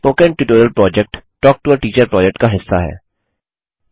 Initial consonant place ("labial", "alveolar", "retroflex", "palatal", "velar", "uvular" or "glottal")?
labial